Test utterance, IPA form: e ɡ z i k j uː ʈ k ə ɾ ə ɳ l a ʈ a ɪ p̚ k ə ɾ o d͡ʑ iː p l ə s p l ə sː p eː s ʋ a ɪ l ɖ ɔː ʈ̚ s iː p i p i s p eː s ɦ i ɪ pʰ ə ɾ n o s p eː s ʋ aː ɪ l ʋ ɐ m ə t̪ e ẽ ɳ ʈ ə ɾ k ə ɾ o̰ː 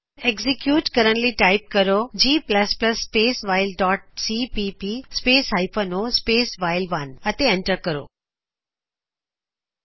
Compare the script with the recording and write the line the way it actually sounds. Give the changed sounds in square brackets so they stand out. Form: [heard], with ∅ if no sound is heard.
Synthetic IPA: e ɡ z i k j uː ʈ k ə ɾ ə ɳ l [i] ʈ a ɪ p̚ k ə ɾ o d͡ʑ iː p l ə s p l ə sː p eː s ʋ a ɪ l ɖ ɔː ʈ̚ s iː p i p i s p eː s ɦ [a] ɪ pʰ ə [∅] n o s p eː s ʋ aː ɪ l ʋ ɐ [n] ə t̪ e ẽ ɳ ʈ ə ɾ k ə ɾ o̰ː